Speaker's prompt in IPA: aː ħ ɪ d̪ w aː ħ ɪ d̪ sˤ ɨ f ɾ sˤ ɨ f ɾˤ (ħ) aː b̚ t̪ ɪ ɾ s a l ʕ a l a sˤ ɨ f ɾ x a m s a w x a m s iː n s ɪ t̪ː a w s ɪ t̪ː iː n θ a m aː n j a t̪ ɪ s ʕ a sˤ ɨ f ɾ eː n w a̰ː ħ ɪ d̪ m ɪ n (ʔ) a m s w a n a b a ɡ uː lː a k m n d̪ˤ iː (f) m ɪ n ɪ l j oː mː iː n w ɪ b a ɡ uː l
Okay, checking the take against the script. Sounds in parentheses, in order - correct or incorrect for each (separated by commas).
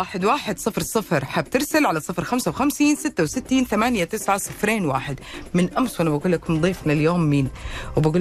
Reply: correct, correct, correct